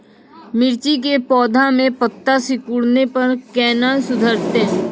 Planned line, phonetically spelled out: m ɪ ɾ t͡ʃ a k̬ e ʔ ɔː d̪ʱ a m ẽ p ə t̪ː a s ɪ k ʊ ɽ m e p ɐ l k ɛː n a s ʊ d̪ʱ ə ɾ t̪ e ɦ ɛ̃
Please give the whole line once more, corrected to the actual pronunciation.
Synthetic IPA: m ɪ ɾ t͡ʃ i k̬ e p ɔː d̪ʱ a m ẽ p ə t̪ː a s ɪ k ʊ ɽ n e p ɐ ɾ k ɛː n a s ʊ d̪ʱ ə ɾ t̪ e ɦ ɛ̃